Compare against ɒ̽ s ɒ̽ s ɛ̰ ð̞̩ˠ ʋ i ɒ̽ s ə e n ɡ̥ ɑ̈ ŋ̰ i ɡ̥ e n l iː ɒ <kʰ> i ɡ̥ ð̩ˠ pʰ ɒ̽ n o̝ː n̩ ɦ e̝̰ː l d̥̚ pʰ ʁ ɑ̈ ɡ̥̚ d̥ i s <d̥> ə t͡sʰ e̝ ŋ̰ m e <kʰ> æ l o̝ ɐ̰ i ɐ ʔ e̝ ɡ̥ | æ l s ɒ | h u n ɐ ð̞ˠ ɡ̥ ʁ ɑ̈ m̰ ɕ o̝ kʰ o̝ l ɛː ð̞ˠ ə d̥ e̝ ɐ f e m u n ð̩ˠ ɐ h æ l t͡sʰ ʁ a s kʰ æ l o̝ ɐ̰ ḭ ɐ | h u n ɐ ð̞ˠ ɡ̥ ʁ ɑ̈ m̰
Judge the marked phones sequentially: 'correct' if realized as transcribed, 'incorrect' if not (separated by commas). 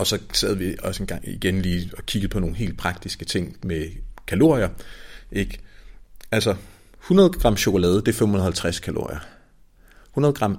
correct, incorrect, correct